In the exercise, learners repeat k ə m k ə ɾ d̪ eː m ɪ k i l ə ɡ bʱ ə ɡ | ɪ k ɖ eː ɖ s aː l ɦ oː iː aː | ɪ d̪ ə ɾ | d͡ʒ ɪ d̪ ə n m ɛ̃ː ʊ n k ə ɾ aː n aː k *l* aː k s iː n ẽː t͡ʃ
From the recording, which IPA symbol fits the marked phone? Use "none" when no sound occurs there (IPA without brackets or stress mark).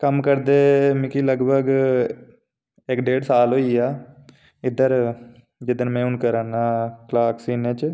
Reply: l